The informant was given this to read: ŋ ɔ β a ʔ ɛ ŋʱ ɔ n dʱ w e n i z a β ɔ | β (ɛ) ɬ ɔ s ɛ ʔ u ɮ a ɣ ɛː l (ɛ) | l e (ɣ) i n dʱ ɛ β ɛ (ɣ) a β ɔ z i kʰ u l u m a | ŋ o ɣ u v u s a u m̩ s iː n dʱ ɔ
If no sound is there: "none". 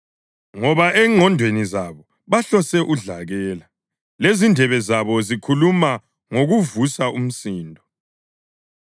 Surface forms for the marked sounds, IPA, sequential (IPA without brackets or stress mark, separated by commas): a, a, z, z